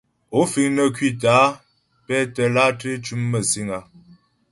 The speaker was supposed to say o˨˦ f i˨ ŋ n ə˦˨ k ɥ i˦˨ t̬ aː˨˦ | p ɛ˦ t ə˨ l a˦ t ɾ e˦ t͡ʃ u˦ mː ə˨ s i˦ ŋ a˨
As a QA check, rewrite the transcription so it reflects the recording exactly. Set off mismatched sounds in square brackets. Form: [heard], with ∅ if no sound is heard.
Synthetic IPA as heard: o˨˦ f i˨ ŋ n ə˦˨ k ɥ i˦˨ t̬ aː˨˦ | p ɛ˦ t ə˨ l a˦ t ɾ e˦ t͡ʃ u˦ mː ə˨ s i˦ ŋ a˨